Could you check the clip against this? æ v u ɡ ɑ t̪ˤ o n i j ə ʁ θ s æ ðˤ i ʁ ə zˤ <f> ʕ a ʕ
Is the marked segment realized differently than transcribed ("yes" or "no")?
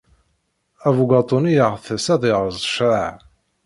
yes